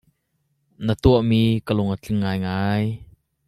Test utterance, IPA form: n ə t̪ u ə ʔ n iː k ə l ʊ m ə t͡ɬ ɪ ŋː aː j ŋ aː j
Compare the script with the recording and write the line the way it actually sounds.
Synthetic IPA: n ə t̪ u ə ʔ m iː k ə l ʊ ŋ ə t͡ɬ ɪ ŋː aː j ŋ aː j

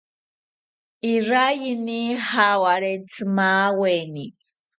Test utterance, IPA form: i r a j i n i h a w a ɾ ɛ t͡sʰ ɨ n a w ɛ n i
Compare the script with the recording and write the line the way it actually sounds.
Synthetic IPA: i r a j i n i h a w a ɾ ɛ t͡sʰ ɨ m a w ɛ n i

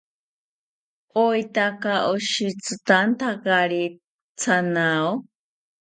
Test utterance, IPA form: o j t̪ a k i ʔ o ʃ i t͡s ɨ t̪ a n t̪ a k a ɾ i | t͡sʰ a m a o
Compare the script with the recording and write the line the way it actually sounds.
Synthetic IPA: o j t̪ a k a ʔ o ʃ i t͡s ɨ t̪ a n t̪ a k a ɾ i | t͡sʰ a n a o

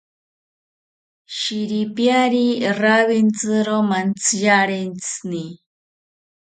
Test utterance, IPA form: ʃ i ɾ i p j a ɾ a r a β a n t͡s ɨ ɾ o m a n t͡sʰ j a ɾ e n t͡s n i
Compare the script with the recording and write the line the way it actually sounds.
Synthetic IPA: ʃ i ɾ i p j a ɾ i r a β i n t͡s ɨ ɾ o m a n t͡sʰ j a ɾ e n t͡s n i

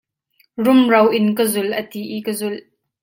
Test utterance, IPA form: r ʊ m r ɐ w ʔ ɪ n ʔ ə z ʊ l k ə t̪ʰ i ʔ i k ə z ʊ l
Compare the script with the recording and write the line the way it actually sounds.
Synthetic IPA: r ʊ m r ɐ w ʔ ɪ n k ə z ʊ l ʔ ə t̪ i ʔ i k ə z ʊ l

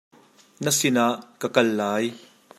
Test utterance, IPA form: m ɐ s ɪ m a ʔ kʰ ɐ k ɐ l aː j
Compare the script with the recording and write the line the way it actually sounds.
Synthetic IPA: n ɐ s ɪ n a ʔ k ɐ k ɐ lː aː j

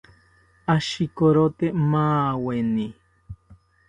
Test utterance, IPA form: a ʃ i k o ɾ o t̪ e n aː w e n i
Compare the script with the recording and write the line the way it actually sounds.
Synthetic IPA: a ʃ i k o ɾ o t̪ e m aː w e n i

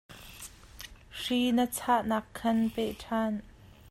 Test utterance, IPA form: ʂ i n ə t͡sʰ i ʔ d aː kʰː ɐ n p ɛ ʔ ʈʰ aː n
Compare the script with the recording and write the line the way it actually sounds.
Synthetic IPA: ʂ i n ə t͡sʰ a ʔ n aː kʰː ɐ n p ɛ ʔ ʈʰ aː n

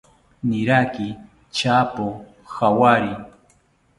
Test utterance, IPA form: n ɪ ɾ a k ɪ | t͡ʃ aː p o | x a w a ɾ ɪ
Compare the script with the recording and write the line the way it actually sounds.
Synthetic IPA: n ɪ ɾ a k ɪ | t͡ʃ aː p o | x a w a ɾ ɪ

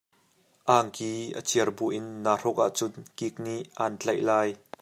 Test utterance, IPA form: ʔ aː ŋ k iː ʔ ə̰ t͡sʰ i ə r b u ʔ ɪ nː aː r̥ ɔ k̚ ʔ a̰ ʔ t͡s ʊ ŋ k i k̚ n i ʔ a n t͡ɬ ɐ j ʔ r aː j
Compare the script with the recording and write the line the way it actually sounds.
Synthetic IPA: ʔ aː ŋ k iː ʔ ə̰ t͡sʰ i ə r b u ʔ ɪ nː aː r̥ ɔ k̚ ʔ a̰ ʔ t͡s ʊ n k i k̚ n i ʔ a n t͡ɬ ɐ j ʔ l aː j

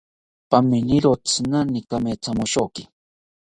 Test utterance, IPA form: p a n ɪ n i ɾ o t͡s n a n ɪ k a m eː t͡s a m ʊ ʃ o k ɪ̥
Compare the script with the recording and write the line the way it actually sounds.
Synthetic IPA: p a m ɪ n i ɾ o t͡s n a n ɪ k a m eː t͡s a m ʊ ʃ o k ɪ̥

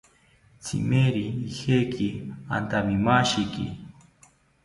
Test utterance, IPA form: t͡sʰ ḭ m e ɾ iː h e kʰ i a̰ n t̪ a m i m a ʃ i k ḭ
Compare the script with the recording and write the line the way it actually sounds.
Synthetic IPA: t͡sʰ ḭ m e ɾ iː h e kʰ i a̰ n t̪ a m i m a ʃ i k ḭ

